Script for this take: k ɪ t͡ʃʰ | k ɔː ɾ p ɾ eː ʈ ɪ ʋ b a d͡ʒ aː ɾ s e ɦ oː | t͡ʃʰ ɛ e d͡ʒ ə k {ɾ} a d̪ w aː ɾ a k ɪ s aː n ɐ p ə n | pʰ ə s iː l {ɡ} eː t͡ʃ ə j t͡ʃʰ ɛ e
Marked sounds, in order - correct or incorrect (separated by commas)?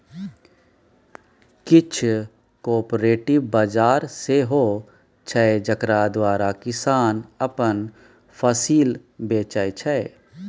correct, incorrect